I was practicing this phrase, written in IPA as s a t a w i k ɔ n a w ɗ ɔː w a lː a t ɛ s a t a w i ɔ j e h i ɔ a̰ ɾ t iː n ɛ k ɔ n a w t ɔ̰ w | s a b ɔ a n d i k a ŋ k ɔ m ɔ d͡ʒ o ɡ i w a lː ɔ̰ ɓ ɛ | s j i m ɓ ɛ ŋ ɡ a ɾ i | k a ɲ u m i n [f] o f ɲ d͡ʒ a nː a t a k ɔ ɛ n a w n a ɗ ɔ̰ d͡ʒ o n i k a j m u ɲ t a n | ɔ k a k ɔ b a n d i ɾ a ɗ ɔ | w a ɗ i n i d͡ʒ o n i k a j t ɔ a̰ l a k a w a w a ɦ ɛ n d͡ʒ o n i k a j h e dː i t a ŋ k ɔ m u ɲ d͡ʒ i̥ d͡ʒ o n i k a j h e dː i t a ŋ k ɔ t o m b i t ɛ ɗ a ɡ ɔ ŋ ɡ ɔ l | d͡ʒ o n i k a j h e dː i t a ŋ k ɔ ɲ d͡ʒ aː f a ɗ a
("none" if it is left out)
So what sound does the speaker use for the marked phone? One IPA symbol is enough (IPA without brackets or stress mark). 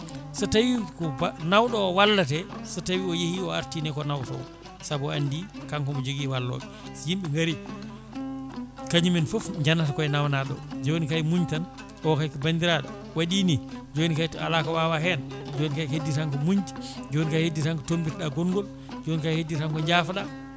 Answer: f